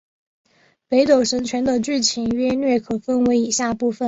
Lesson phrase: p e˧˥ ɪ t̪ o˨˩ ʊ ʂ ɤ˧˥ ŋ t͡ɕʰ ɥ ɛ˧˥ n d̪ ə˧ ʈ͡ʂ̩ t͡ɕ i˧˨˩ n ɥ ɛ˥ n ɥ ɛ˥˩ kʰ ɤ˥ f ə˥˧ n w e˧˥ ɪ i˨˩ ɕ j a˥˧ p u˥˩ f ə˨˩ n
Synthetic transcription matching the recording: p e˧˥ ɪ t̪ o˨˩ ʊ ʂ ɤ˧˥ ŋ t͡ɕʰ ɥ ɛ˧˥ n d̪ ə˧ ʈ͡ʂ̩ t͡ɕʰ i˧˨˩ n ɥ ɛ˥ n ɥ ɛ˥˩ kʰ ɤ˨˩ f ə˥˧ n w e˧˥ ɪ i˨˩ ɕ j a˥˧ p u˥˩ f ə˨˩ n